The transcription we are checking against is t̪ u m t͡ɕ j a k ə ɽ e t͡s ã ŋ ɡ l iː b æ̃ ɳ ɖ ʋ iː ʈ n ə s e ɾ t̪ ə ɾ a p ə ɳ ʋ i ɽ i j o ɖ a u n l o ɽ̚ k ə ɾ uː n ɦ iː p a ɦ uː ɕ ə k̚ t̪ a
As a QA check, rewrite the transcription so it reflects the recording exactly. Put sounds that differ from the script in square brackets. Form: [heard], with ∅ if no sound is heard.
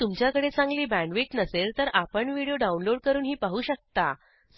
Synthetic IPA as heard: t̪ u m t͡ɕ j a k ə ɽ e t͡s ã ŋ ɡ l iː b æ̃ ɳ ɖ ʋ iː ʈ n ə s e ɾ t̪ ə ɾ a p ə ɳ ʋ i ɽ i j o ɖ a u n l o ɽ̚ k ə ɾ uː n ɦ iː p a ɦ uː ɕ ə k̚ t̪ a